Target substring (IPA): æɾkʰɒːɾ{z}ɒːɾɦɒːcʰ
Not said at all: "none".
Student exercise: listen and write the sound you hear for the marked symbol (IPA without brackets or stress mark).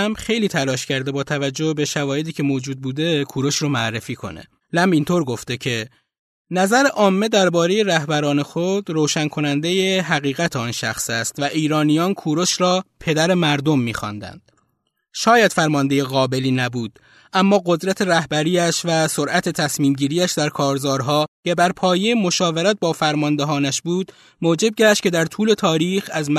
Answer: z